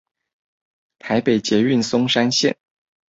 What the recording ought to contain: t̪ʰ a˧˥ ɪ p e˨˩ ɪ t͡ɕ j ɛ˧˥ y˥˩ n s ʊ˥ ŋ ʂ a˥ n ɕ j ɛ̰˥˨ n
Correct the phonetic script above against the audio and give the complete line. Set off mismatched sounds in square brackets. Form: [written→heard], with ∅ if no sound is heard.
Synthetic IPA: t̪ʰ a˧˥ ɪ p e˨˩ ɪ t͡ɕ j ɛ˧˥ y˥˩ n s ʊ˥ ŋ ʂ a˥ n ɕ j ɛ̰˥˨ n